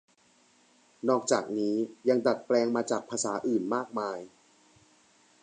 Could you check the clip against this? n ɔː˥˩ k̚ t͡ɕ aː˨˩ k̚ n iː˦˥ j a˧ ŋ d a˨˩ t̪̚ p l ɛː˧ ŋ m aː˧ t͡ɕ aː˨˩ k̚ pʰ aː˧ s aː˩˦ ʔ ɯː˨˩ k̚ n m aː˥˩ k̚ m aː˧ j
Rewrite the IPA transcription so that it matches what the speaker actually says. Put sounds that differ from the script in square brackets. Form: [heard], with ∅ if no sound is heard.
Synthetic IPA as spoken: n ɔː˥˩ k̚ t͡ɕ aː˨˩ k̚ n iː˦˥ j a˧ ŋ d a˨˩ t̪̚ p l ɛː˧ ŋ m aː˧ t͡ɕ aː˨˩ k̚ pʰ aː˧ s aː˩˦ ʔ ɯː˨˩ [∅] n m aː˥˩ k̚ m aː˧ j